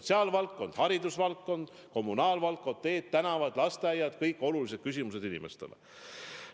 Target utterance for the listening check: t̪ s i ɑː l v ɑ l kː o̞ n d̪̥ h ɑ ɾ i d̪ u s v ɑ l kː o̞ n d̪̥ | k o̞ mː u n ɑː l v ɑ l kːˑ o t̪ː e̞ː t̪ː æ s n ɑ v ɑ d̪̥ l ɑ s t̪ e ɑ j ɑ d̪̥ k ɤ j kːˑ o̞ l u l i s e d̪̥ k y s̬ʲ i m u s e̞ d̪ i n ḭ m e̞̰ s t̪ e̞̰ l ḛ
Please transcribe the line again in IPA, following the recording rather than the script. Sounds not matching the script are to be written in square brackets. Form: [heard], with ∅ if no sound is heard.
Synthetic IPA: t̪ s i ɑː l v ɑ l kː o̞ n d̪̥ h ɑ ɾ i d̪ u s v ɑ l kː o̞ n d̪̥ | k o̞ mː u n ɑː l v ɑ l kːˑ o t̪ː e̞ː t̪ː æ [∅] n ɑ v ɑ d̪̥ l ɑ s t̪ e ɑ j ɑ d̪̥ k ɤ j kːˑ o̞ l u l i s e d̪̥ k y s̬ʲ i m u s e̞ d̪ i n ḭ m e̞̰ s t̪ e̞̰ l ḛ